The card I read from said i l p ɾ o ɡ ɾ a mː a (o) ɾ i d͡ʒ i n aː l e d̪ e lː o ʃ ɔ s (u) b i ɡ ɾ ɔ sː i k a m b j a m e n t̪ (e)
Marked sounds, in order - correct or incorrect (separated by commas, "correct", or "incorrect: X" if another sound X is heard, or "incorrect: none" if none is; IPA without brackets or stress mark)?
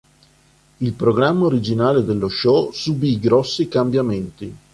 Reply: correct, correct, incorrect: i